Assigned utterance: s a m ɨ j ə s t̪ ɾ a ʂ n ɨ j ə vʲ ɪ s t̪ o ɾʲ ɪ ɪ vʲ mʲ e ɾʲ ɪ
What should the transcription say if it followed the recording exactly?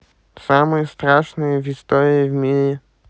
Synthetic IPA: s a m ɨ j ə s t̪ ɾ a ʂ n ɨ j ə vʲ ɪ s t̪ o ɾʲ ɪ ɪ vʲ mʲ i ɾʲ ɪ